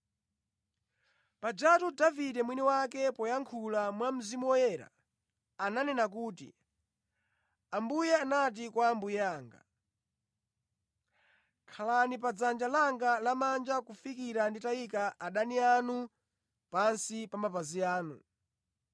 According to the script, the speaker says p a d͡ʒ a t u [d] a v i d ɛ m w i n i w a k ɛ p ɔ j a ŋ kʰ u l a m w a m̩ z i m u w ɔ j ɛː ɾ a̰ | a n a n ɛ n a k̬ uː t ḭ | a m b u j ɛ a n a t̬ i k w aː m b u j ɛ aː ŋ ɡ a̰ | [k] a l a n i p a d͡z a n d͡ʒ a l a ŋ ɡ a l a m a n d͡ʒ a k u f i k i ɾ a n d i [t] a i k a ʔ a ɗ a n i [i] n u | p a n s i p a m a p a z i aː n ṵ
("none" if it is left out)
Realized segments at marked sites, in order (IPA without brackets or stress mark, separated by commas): d, kʰ, t, a